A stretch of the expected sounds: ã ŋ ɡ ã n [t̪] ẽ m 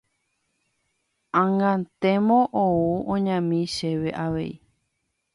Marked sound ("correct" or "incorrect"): correct